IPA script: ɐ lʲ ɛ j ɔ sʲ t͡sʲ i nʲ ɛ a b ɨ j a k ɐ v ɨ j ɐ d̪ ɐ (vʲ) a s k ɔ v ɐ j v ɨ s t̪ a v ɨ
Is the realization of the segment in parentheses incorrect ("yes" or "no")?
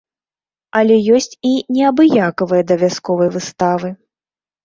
no